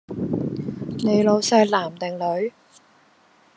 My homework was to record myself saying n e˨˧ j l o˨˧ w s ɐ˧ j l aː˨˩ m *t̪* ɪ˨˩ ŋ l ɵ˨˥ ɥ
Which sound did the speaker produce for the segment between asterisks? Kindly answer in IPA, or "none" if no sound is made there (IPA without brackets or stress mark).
t̪